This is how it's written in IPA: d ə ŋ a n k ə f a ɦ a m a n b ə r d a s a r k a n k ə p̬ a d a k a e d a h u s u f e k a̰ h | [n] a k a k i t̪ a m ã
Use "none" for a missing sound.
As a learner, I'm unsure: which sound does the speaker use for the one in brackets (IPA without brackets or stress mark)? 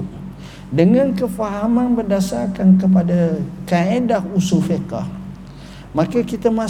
m